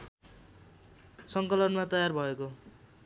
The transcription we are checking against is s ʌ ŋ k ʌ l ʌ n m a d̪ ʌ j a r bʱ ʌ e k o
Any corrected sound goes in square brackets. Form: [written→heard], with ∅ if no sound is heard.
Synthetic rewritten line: s ʌ ŋ k ʌ l ʌ n m a [d̪→t̪] ʌ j a r bʱ ʌ e k o